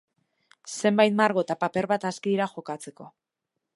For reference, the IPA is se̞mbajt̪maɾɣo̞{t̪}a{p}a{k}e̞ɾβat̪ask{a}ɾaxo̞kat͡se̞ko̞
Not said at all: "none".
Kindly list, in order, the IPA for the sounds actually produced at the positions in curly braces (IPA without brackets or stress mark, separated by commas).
t̪, p, p, i